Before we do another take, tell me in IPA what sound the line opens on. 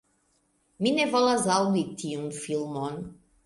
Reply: m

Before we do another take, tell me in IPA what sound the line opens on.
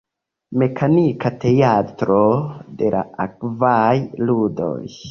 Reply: m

